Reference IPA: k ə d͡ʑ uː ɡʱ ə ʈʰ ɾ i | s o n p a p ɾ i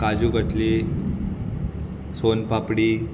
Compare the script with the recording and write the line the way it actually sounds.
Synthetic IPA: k a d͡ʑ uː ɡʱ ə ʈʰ l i | s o n p a p ɽ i